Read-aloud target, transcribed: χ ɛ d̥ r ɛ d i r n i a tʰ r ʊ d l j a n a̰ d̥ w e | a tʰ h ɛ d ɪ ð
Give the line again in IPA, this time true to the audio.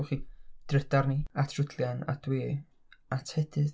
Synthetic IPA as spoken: χ i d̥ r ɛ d a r n i a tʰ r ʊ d l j a n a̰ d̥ w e | a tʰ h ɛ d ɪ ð